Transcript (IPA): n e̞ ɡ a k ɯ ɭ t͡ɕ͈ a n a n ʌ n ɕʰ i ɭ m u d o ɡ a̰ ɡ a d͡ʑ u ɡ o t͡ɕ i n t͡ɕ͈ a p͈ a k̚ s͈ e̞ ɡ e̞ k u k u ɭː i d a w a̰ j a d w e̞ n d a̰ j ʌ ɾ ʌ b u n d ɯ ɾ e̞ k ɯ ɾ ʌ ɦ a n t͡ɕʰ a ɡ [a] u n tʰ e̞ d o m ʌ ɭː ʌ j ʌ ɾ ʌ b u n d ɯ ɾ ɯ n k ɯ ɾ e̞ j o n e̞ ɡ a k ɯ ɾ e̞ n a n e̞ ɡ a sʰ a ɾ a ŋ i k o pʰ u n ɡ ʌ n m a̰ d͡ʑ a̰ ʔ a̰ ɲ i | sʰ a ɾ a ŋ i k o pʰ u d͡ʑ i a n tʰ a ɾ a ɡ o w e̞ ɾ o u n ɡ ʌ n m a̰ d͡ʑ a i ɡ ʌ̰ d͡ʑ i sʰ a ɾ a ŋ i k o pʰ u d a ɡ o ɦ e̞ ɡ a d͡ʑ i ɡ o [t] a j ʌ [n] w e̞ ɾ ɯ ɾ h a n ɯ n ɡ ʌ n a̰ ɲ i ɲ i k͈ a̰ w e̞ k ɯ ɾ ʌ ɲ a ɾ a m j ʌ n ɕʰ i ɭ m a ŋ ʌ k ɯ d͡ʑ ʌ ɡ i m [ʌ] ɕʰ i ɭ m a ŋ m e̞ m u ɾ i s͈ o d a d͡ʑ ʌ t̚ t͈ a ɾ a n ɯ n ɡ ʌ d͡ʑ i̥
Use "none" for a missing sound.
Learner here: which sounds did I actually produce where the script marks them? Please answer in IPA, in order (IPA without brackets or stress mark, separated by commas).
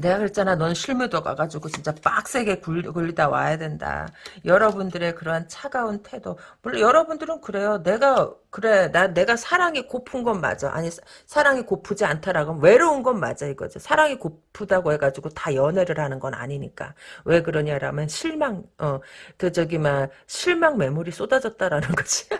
a, t, n, a